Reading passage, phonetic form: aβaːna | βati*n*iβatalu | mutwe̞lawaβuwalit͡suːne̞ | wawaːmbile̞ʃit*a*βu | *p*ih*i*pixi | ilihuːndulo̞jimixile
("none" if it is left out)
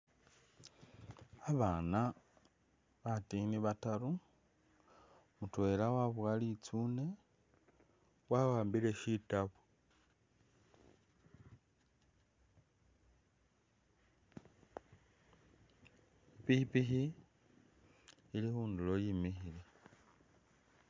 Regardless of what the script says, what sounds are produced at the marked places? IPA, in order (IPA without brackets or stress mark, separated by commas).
n, a, p, i